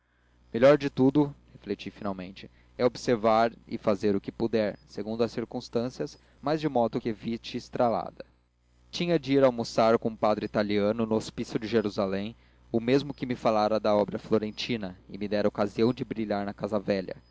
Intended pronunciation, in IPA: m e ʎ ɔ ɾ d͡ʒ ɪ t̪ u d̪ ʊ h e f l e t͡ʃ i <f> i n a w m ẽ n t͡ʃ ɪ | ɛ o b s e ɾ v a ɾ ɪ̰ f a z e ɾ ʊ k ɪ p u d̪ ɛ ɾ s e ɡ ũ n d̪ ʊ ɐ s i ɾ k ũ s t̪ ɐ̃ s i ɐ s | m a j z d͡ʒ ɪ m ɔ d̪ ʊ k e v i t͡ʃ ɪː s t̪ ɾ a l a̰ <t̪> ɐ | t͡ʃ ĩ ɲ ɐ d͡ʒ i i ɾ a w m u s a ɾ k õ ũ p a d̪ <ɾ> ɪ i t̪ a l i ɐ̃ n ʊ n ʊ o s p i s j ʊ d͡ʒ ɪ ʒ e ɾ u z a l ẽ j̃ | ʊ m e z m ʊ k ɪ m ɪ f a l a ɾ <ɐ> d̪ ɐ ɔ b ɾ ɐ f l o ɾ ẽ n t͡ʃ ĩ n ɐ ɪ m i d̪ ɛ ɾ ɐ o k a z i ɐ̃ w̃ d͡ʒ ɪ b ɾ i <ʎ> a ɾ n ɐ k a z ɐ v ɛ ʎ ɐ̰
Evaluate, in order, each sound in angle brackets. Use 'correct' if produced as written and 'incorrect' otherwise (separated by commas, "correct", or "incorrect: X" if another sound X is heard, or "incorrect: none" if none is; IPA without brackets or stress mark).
correct, incorrect: d̪, correct, correct, correct